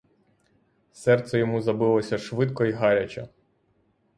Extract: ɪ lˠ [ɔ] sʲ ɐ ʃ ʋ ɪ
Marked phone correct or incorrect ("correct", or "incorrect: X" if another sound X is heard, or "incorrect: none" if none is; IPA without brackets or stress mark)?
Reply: correct